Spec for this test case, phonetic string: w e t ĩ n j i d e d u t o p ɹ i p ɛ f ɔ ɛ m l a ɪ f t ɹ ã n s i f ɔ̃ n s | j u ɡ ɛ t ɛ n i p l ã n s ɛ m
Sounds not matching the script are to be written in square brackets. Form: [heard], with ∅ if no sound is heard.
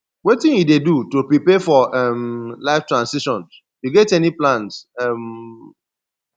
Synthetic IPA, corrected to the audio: w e t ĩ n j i d e d u t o p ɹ i p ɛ f ɔ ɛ m l a ɪ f t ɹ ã n s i [ʃ] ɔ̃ n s | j u ɡ ɛ t ɛ n i p l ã n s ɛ m